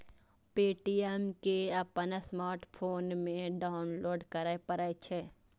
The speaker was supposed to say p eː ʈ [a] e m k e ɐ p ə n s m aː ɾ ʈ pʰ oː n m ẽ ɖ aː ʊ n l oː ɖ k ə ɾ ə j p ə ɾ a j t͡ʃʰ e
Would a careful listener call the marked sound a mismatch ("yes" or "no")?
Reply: yes